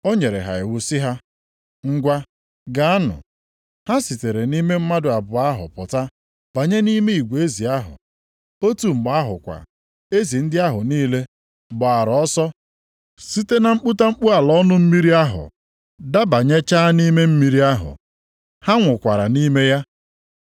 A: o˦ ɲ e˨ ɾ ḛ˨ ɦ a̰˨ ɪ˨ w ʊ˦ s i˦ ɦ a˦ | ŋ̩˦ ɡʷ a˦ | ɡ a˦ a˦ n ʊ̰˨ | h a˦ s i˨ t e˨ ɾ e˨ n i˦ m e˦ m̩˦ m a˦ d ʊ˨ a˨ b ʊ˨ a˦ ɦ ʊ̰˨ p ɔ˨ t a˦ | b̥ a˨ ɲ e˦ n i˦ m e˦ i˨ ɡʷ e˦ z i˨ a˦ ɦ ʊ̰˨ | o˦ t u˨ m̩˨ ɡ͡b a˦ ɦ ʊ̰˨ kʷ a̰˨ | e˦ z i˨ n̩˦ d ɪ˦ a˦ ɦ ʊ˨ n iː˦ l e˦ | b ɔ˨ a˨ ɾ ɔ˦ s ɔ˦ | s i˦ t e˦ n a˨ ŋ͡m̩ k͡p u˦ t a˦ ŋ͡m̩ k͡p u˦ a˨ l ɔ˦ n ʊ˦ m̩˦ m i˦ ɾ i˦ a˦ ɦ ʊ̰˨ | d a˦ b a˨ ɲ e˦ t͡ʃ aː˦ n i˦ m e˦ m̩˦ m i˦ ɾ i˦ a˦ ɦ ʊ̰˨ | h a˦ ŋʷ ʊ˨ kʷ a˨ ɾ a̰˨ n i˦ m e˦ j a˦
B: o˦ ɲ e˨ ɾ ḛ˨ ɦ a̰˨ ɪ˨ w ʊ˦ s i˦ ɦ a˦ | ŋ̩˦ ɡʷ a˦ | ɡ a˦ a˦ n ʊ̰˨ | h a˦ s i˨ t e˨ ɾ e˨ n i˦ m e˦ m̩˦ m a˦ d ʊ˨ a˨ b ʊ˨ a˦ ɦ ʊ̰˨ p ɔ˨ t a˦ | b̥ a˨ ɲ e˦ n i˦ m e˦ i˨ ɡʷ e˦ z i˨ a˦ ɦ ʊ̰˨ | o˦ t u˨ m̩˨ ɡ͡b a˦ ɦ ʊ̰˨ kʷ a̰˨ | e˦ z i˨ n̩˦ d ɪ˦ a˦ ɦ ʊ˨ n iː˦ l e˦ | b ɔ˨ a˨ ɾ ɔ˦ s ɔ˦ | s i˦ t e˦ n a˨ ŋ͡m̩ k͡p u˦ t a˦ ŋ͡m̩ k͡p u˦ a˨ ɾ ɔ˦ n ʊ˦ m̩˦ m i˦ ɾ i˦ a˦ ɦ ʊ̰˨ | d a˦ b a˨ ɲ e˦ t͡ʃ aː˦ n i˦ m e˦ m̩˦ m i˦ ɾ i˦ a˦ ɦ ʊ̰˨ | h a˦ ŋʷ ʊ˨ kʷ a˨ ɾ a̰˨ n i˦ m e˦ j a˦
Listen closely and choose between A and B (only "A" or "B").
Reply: A